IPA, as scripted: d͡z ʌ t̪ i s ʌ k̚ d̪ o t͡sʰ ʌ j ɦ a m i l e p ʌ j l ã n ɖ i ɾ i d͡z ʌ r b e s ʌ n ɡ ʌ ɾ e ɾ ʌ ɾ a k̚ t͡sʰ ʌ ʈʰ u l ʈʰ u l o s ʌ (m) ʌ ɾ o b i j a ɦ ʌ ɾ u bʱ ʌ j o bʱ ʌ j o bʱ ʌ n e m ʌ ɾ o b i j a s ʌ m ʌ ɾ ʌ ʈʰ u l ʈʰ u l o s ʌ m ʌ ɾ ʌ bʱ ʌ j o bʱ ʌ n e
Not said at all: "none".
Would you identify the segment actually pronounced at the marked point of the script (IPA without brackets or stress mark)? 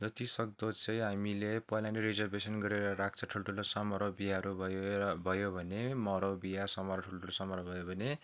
m